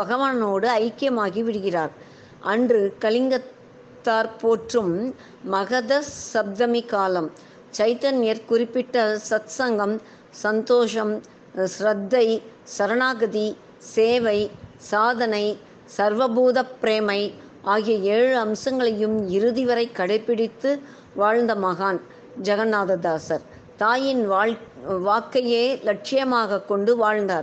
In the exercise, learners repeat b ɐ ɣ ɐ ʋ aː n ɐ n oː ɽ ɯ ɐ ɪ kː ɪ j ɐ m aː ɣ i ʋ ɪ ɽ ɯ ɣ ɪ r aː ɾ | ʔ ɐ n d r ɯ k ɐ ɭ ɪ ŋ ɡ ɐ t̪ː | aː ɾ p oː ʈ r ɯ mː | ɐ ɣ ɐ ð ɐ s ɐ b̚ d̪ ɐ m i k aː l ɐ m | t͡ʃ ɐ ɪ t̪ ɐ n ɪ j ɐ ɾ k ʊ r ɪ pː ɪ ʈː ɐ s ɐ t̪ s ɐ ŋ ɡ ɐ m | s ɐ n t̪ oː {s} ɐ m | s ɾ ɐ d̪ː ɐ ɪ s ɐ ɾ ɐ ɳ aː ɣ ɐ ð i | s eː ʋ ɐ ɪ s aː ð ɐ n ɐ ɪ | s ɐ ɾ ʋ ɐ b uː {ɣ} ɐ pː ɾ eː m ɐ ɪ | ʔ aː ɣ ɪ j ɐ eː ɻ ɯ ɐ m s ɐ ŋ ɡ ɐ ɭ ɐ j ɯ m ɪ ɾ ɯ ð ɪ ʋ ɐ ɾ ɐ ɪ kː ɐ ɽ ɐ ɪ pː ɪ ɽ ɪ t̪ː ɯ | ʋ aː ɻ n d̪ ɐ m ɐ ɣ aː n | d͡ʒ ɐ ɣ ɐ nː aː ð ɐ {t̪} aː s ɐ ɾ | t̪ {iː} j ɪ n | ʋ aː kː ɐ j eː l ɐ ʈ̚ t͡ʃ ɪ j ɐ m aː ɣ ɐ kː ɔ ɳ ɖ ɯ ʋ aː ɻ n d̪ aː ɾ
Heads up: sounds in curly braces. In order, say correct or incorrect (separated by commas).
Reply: incorrect, incorrect, incorrect, incorrect